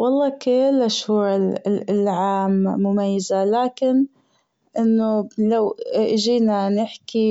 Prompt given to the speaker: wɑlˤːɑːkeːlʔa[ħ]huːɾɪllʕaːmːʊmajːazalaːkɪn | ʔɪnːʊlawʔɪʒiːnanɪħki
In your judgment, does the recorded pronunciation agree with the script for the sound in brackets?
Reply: no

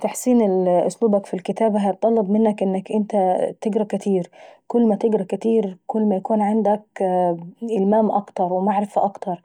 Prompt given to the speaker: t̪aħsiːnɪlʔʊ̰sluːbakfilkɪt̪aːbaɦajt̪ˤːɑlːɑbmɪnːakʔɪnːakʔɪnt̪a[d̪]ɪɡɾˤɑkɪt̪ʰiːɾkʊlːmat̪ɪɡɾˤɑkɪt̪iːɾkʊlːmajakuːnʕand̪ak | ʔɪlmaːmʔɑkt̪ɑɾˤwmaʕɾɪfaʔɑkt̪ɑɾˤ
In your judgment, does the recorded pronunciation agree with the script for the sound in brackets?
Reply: no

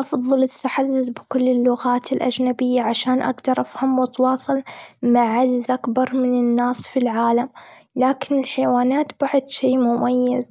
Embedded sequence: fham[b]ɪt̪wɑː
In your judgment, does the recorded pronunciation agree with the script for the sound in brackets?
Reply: no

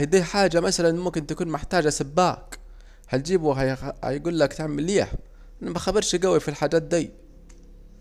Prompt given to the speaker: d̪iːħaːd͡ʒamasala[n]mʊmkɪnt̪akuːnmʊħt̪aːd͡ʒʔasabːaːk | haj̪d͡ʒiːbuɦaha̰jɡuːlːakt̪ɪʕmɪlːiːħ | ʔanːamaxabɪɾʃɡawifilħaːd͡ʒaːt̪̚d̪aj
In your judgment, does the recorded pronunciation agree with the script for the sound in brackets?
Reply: yes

